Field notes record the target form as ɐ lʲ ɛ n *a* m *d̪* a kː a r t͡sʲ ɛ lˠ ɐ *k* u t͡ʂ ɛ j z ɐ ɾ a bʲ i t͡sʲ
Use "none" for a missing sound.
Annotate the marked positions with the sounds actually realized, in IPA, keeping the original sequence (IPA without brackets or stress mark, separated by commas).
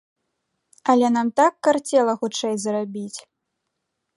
a, t̪, x